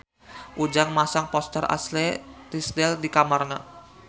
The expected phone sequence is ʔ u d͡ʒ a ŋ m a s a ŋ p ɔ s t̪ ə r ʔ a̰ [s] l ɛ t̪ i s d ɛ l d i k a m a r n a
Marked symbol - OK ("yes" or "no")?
yes